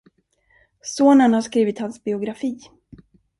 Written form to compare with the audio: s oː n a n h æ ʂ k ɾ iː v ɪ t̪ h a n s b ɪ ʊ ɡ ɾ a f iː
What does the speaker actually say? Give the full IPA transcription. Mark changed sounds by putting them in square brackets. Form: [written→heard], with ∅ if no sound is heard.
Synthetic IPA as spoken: s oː n [a→ə] n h [æ→a] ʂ k ɾ iː v ɪ t̪ h a n s b ɪ ʊ ɡ ɾ a f iː